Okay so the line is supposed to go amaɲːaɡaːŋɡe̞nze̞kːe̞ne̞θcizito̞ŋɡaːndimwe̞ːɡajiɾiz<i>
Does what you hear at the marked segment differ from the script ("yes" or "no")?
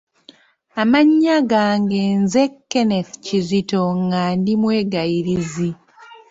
no